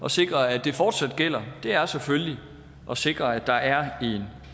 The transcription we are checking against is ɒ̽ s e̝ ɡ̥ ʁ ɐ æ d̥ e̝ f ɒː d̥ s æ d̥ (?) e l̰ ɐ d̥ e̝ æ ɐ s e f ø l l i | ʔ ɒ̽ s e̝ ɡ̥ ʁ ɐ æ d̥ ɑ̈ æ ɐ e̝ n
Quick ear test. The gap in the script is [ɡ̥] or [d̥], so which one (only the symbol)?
ɡ̥